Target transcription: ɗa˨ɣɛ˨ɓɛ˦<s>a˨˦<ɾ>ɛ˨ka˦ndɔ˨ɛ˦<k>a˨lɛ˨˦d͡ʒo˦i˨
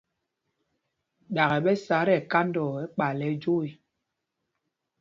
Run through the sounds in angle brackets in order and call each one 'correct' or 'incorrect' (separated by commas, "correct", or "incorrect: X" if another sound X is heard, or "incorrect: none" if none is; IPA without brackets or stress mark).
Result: correct, correct, incorrect: k͡p